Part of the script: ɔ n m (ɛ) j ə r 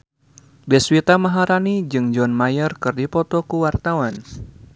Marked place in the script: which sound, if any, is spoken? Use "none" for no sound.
a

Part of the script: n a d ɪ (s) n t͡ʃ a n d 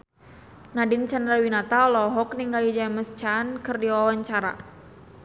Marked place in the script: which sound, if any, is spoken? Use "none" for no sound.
none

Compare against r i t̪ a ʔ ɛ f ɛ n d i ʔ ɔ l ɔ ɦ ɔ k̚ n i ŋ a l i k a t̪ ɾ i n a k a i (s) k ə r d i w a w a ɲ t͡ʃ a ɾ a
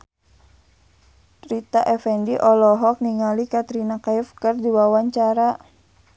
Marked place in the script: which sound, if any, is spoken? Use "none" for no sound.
f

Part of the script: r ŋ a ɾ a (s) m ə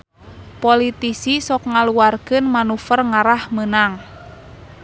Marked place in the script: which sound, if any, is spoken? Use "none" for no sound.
h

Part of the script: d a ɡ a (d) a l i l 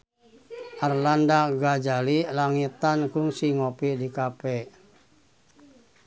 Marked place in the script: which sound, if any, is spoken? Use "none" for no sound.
d͡ʒ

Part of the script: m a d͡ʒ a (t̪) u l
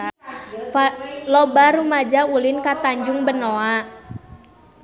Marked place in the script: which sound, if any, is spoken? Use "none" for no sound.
none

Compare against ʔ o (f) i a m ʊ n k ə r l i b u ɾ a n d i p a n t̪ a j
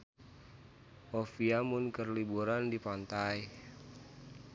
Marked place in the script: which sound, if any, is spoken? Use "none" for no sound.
f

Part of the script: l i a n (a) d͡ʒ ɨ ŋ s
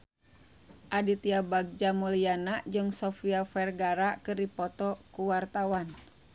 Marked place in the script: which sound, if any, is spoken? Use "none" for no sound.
a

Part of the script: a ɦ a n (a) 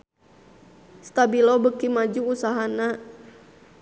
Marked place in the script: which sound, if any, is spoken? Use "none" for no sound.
a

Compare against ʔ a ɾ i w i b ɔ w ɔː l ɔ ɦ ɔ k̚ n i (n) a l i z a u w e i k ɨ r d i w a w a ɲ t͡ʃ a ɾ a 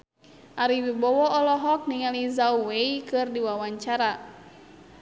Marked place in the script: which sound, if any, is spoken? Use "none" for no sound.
ŋ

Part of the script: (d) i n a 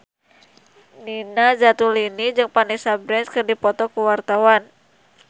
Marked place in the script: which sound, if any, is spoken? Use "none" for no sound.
n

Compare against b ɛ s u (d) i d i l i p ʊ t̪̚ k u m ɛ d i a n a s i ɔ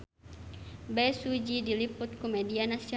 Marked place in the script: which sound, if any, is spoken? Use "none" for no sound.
d͡ʒ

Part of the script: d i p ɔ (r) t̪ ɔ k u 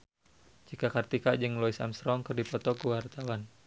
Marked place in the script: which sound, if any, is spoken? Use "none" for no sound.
none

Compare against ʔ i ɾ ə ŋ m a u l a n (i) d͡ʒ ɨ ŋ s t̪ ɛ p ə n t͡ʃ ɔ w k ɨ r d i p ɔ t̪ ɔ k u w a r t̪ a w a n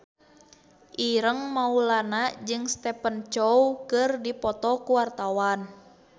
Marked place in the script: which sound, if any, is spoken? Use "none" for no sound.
a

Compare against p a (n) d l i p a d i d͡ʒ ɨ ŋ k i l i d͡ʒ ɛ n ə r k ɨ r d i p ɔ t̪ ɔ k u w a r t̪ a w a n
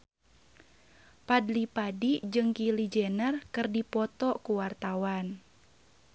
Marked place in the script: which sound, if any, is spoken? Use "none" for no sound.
none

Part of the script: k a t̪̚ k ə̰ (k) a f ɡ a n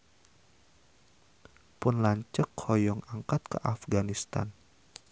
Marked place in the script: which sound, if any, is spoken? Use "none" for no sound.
ʔ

